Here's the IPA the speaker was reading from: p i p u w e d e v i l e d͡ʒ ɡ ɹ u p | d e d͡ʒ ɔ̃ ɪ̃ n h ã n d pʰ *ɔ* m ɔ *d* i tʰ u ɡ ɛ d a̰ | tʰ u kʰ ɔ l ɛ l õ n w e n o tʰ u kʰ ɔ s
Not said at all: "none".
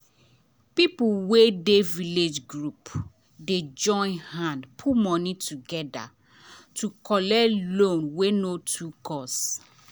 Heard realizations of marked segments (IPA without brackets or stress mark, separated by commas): u, n